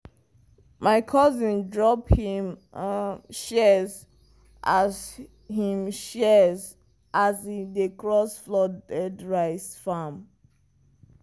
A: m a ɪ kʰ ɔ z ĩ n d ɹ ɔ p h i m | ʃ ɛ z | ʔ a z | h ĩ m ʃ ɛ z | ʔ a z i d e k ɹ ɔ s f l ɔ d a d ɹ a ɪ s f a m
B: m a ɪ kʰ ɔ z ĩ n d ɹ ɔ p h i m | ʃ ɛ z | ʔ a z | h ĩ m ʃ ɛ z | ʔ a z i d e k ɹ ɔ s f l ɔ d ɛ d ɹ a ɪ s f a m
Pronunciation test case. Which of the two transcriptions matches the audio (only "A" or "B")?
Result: B